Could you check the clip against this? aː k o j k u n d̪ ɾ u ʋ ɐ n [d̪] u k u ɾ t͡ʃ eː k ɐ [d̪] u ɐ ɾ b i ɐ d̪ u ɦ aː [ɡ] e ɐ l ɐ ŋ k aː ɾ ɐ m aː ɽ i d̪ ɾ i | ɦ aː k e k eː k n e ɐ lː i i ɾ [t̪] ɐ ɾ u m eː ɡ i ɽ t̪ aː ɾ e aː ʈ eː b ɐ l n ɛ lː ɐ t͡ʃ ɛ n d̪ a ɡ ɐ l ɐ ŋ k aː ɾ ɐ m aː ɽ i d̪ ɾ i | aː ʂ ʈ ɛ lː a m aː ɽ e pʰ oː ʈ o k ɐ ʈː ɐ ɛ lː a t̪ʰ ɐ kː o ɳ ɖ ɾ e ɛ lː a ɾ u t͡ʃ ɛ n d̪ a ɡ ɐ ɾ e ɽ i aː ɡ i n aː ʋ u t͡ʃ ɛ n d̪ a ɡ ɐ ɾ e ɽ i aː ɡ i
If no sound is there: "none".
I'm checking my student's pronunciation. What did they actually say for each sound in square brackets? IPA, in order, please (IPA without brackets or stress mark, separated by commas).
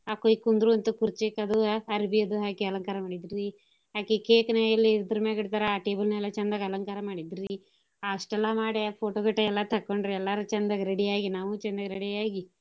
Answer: t̪, d̪, k, d̪